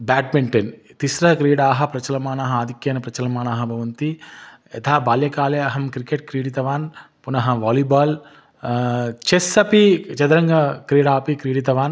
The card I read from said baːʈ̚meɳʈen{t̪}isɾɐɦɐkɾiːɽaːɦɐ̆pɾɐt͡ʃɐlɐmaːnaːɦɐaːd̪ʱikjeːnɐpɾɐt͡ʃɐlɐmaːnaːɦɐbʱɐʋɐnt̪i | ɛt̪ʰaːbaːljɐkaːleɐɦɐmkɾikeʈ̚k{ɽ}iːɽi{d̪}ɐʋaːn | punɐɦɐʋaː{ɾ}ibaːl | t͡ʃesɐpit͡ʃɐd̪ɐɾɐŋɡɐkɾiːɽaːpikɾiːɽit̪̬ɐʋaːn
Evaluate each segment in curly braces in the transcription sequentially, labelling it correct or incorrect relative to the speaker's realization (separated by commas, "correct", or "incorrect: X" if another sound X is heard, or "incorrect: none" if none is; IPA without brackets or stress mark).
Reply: correct, incorrect: ɾ, incorrect: t̪, incorrect: l